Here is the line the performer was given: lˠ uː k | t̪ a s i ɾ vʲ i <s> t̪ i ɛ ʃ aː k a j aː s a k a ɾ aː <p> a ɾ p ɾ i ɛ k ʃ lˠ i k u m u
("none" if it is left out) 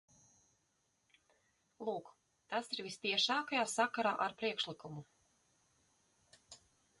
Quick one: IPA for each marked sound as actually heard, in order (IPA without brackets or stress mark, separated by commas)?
s, ʔ